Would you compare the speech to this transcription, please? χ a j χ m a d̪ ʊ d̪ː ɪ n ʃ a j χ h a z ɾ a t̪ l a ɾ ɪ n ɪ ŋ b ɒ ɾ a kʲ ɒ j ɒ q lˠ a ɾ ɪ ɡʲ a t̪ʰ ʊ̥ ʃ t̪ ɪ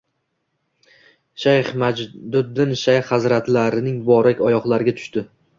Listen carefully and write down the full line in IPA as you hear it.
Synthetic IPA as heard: ʃ a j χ m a d̪ ʊ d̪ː ɪ n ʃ a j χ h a z ɾ a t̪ l a ɾ ɪ n ɪ ŋ b ɒ ɾ a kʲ ɒ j ɒ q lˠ a ɾ ɪ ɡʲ a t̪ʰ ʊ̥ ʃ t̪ ɪ